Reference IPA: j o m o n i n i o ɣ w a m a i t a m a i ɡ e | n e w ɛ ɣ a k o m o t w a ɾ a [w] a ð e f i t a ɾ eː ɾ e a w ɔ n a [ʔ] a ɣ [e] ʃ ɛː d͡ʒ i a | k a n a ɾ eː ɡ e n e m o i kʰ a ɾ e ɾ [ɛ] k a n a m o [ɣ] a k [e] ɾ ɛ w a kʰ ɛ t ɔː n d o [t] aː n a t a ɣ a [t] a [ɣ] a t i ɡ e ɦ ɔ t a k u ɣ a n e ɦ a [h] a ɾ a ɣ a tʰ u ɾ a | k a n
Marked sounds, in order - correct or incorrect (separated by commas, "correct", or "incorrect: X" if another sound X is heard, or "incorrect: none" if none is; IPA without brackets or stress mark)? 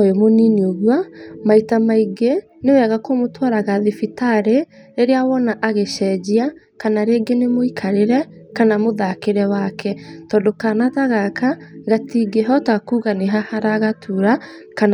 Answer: incorrect: ɣ, correct, correct, correct, incorrect: ð, correct, incorrect: k, incorrect: k, correct, correct